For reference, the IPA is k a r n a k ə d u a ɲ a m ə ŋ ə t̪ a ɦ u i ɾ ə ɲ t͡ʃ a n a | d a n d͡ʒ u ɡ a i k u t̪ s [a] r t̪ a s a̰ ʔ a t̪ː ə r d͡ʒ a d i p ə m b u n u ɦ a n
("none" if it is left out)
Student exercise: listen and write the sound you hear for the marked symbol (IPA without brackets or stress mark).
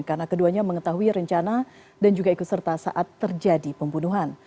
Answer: ə